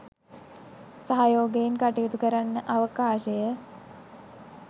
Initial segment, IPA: s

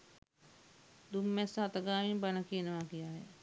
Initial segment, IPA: d̪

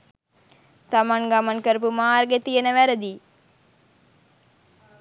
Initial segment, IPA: t̪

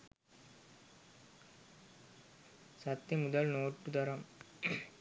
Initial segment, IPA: s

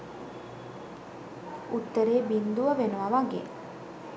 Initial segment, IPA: u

